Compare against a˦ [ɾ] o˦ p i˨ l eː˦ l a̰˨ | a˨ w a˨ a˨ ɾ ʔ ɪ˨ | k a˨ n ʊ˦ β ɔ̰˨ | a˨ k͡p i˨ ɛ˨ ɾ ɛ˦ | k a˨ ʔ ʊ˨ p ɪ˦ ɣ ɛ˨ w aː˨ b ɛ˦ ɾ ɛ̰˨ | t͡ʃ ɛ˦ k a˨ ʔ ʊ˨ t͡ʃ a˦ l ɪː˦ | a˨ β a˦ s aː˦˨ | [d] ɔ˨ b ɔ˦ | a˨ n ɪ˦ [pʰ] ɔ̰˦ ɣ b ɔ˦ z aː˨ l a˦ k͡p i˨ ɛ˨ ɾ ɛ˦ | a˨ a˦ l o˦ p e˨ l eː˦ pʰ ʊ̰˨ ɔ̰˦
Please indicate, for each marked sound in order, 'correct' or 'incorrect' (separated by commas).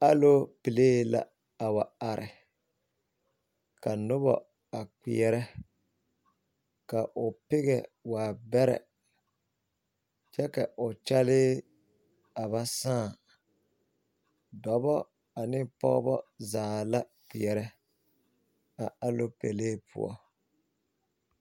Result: incorrect, correct, incorrect